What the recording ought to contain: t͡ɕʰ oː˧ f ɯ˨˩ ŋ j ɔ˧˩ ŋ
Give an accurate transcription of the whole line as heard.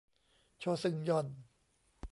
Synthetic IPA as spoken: t͡ɕʰ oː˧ s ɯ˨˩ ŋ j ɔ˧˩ n